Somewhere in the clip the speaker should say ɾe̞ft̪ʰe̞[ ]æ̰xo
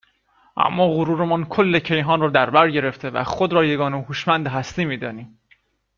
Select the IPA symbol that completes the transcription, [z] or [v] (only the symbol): v